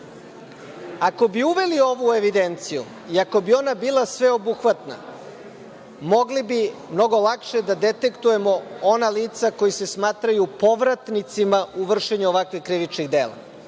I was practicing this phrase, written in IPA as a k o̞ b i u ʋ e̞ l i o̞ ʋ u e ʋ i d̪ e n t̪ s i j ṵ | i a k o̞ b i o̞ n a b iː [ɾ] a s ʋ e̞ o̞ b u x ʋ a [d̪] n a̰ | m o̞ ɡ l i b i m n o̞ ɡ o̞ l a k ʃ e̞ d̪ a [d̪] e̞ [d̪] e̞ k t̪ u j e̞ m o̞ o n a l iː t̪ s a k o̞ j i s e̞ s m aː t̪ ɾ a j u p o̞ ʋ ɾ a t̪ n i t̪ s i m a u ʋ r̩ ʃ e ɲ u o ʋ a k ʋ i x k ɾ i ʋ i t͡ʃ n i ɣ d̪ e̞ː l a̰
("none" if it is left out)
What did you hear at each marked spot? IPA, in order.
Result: l, t̪, d̪, t̪

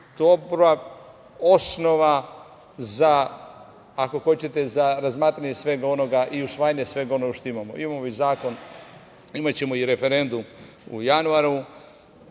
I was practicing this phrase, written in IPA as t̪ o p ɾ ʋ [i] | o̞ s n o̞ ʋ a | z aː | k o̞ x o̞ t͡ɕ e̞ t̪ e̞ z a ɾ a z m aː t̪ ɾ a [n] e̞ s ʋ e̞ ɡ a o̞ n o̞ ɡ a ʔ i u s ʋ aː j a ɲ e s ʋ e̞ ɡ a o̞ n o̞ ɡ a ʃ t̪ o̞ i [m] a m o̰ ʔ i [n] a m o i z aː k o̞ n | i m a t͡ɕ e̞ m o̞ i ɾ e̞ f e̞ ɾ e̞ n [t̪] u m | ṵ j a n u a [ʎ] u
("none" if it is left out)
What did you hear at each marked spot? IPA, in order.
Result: a, ɲ, m, m, d̪, ɾ

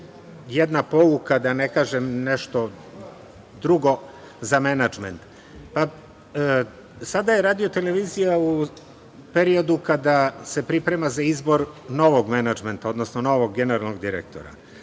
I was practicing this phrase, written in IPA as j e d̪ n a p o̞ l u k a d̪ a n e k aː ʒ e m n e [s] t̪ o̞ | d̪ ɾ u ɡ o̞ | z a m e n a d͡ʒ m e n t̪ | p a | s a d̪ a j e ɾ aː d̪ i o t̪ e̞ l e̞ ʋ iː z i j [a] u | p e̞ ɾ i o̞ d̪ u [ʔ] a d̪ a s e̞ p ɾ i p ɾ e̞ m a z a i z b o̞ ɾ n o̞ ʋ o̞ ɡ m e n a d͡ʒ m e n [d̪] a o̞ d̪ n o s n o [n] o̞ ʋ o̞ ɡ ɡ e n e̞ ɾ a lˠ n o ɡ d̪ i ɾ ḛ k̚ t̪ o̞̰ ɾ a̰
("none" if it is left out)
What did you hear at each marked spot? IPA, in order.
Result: ʃ, a, k, t̪, n

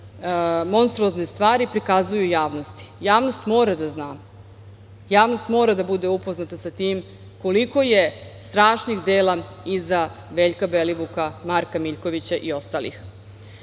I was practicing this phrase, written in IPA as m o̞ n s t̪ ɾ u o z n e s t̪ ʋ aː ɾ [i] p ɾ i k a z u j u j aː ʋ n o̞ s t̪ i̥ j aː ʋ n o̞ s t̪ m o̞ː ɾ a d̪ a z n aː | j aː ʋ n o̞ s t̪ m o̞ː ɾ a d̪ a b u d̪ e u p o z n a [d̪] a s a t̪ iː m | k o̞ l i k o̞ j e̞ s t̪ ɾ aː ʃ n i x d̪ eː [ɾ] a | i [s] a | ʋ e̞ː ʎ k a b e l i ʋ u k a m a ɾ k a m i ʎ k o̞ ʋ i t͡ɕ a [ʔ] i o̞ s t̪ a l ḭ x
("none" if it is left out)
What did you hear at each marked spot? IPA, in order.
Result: i, t̪, l, z, ʔ

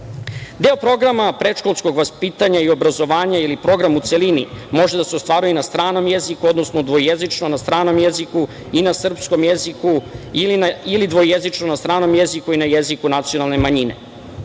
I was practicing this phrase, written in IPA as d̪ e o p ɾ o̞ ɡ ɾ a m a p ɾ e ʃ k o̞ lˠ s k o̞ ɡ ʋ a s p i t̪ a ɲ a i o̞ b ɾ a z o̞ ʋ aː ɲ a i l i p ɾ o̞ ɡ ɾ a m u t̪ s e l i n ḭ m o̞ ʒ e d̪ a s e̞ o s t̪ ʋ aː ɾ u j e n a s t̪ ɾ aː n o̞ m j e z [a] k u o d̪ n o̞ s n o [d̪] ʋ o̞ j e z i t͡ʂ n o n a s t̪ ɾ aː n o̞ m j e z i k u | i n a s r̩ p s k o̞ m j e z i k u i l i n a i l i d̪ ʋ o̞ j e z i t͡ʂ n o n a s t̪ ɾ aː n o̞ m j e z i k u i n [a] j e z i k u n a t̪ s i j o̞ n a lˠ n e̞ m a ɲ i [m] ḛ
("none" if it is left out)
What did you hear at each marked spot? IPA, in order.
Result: i, d̪, a, n

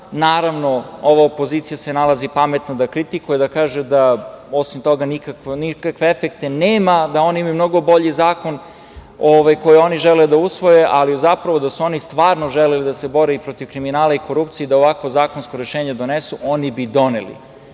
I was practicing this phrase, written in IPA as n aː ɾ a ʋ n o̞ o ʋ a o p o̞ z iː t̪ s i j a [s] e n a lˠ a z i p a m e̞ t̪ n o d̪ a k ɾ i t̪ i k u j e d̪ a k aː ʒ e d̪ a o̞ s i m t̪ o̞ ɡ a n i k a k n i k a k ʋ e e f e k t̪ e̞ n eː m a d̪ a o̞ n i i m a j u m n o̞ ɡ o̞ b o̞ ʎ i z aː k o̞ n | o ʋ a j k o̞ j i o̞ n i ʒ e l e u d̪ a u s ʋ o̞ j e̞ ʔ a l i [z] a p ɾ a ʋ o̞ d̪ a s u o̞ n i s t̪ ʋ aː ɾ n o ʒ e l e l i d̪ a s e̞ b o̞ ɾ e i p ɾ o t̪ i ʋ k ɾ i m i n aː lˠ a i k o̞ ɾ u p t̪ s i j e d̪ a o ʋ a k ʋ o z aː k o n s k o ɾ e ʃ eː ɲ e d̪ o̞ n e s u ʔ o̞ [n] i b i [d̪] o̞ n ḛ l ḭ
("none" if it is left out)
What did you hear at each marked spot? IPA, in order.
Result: s, z, n, d̪

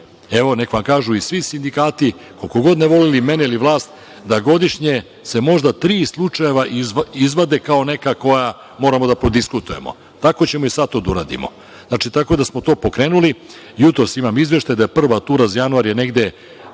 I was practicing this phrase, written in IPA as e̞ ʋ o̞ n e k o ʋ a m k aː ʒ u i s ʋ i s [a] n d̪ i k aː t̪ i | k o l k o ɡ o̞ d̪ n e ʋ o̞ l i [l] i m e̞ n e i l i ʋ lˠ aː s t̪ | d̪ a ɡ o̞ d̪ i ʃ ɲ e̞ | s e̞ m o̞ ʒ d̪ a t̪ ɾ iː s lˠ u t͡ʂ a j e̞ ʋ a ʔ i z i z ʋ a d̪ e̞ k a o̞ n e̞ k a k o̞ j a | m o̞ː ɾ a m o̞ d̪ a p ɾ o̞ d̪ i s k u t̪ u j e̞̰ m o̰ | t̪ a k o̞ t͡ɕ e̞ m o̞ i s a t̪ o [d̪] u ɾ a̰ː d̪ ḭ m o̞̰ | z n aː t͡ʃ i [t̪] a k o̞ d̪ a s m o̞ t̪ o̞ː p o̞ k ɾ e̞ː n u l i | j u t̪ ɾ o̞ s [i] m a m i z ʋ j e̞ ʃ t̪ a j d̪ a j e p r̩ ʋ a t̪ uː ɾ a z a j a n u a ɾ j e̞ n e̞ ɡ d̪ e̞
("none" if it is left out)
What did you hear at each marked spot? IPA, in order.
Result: i, l, d̪, t̪, i

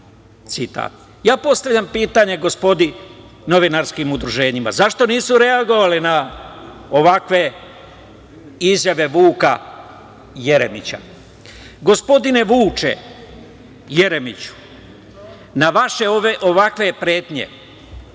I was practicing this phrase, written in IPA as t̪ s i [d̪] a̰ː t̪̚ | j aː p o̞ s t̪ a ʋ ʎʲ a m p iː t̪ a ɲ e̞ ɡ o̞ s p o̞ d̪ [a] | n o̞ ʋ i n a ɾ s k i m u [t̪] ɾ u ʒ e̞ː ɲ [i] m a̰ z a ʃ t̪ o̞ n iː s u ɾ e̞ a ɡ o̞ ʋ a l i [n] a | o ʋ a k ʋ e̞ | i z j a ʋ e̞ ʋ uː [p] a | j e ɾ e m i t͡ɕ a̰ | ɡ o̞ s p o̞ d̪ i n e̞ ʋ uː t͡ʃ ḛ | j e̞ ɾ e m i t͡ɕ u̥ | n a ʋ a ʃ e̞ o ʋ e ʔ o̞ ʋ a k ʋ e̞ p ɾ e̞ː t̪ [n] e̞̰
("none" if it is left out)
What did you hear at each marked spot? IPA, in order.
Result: t̪, i, d̪, i, n, k, ɲ

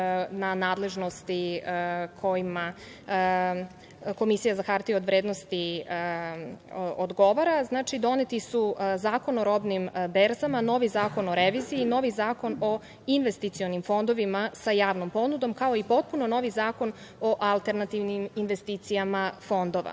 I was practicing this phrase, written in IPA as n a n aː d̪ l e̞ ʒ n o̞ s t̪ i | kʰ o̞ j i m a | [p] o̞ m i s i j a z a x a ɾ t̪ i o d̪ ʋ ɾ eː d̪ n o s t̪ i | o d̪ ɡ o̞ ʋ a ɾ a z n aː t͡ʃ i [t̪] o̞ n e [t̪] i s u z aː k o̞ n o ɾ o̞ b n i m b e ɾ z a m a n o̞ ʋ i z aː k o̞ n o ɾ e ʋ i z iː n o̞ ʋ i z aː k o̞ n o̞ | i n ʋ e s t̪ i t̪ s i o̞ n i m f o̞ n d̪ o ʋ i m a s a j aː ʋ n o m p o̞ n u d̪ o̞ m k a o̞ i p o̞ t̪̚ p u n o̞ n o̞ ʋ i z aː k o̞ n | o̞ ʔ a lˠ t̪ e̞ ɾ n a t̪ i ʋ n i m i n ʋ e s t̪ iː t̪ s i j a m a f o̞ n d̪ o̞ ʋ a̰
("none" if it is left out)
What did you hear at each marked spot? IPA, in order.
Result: k, d̪, t̪

